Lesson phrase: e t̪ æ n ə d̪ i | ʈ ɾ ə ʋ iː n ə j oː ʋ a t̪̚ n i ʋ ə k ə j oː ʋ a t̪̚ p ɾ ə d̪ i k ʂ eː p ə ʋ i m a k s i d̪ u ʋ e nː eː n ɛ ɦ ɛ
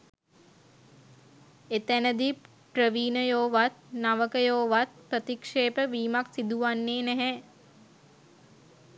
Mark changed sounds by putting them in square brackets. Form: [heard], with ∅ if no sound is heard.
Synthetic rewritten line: e t̪ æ n ə d̪ i | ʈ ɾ ə ʋ iː n ə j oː ʋ a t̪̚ n [a] ʋ ə k ə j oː ʋ a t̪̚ p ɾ ə [t̪] i k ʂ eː p ə ʋ [iː] m a k s i d̪ u ʋ [a] nː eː n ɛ ɦ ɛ